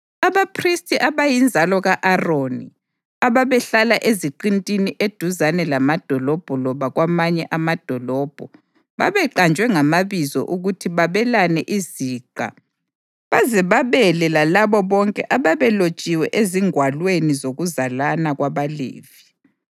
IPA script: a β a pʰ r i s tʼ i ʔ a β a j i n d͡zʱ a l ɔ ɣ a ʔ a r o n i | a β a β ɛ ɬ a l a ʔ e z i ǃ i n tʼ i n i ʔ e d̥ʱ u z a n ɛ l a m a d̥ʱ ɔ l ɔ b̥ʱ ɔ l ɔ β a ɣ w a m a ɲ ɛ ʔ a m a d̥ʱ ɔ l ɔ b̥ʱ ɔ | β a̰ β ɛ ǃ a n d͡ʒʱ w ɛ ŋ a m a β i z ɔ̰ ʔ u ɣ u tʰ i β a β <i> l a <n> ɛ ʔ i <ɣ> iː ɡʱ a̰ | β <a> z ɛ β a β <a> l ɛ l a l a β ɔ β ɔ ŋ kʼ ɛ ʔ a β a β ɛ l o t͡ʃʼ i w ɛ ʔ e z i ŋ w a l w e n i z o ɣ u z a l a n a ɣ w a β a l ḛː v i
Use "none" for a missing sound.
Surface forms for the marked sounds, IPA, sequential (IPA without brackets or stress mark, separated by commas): ɛ, n, z, a, ɛ